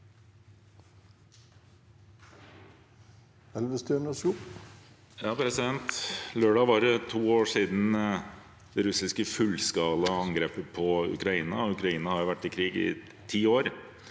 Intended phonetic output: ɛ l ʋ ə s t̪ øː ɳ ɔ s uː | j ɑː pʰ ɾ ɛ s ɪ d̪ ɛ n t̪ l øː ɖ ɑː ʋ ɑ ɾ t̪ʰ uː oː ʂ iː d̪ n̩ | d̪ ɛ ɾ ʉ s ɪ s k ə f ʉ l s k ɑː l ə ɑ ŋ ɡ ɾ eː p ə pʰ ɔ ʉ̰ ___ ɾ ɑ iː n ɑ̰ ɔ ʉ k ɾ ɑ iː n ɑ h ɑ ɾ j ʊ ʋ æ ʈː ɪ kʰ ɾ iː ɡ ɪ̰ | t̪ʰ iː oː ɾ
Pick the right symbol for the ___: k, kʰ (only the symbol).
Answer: k